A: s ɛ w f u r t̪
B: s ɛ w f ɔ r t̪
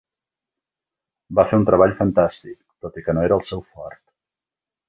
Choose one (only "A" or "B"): B